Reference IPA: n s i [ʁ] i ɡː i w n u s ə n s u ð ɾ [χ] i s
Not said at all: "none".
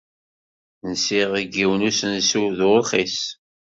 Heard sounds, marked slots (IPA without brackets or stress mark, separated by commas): ʁ, χ